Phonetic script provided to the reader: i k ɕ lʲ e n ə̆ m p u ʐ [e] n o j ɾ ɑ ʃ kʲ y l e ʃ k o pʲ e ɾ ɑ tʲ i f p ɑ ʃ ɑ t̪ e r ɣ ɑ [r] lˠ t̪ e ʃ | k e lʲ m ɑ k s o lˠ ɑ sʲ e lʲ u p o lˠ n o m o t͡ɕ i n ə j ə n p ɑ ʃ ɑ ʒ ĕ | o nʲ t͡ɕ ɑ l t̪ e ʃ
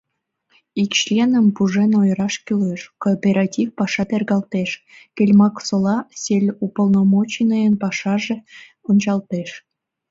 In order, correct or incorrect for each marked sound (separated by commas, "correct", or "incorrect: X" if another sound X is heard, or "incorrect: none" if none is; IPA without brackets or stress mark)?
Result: correct, incorrect: none